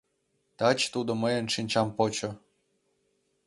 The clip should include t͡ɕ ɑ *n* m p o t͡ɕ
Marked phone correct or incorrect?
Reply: incorrect